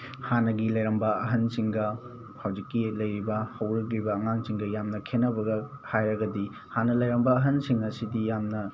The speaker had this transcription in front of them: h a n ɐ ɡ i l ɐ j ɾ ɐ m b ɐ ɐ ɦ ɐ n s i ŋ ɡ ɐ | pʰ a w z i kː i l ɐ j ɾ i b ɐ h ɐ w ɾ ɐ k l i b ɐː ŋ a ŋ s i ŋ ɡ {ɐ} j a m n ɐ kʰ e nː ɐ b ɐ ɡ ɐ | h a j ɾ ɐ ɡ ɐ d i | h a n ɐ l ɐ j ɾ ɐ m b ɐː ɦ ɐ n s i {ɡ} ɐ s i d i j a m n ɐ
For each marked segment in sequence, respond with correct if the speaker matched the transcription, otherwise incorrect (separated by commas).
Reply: correct, incorrect